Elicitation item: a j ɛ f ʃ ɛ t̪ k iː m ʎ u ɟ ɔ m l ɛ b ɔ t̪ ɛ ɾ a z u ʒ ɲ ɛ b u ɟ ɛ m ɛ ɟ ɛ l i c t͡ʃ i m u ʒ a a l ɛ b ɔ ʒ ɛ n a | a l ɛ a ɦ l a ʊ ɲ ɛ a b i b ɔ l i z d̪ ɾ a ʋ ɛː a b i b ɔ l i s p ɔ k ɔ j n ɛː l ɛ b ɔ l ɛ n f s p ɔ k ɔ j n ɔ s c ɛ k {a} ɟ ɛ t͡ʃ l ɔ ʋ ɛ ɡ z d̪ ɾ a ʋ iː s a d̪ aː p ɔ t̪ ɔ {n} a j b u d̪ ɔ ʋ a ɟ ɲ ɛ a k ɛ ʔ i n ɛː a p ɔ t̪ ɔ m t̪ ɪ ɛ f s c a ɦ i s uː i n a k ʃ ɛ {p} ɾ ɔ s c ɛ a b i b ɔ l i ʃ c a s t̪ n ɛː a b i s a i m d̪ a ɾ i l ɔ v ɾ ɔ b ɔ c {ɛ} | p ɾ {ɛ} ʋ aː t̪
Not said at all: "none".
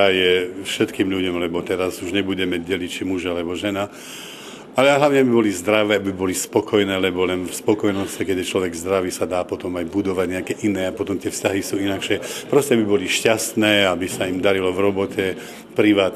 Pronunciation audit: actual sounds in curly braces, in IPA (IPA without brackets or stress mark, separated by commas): ɛ, m, p, ɛ, i